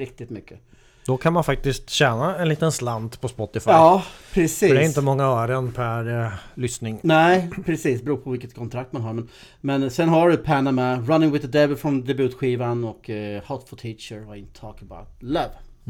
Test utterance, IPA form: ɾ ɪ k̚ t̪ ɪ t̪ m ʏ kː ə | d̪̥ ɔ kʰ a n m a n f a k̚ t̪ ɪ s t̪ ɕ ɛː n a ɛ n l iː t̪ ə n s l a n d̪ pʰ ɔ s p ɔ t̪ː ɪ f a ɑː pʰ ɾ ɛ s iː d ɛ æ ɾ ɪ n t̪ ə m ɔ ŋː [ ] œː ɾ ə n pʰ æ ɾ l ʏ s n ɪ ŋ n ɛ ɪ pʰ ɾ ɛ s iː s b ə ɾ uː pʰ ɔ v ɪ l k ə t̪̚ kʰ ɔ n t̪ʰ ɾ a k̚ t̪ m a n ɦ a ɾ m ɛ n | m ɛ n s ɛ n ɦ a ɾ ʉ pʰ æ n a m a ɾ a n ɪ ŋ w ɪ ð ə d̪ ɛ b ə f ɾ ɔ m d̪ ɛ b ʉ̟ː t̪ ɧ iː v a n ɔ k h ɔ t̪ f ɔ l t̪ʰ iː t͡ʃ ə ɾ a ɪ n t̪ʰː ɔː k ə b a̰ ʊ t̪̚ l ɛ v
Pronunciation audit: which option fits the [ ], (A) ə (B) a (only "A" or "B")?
B